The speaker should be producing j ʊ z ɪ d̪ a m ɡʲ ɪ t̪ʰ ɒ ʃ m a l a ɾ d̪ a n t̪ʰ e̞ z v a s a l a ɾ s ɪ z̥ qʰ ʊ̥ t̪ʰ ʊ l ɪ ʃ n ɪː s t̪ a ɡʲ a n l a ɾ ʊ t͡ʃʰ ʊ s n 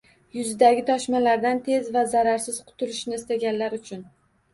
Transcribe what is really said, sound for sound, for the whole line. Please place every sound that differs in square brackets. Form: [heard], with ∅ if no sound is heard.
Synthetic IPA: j ʊ z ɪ d̪ a [∅] ɡʲ ɪ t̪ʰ ɒ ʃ m a l a ɾ d̪ a n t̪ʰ e̞ z v a [z] a [ɾ] a ɾ s ɪ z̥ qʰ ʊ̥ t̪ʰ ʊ l ɪ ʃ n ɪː s t̪ a ɡʲ a n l a ɾ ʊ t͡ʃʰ ʊ [∅] n